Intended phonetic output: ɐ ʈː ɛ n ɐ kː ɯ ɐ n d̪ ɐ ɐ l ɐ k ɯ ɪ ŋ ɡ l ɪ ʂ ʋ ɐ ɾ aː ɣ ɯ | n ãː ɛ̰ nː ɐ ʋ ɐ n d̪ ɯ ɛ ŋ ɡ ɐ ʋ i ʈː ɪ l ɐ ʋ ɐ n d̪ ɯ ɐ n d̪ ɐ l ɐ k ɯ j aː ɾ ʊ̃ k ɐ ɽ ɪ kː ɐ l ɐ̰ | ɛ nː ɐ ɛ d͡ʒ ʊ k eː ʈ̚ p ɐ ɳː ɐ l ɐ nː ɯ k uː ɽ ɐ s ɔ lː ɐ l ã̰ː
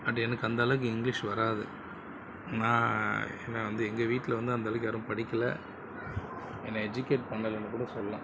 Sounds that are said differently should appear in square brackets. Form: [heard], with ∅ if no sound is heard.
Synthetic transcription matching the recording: ɐ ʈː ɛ n ɐ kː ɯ ɐ n d̪ ɐ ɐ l ɐ k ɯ ɪ ŋ ɡ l ɪ ʂ ʋ ɐ ɾ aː [ð] ɯ | n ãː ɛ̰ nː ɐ ʋ ɐ n d̪ ɯ ɛ ŋ ɡ ɐ ʋ [iː] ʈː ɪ l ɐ ʋ ɐ n d̪ ɯ ɐ n d̪ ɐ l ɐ k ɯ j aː ɾ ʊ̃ [p] ɐ ɽ ɪ kː ɐ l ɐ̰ | ɛ nː ɐ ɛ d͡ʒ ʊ k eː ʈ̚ p ɐ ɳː ɐ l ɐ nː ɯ k uː ɽ ɐ s ɔ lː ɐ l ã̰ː